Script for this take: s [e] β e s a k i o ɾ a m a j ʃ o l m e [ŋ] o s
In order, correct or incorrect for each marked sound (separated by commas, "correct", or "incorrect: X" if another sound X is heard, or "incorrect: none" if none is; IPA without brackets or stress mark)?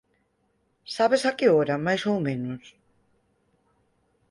incorrect: a, incorrect: n